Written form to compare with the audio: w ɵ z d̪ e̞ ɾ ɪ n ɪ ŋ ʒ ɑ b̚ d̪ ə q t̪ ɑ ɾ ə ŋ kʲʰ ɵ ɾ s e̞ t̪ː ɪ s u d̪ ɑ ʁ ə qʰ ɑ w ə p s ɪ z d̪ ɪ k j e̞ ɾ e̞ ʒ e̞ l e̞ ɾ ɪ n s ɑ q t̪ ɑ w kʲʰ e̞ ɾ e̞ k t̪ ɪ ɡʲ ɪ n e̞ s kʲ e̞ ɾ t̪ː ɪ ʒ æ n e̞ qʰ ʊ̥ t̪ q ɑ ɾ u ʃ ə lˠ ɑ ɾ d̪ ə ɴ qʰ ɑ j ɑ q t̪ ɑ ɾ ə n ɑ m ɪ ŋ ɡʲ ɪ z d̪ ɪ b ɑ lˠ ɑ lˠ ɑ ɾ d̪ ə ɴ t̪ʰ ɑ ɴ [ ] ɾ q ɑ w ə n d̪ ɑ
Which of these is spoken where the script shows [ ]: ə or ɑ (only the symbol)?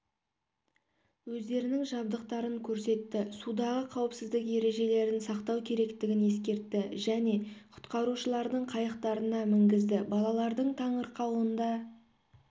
ə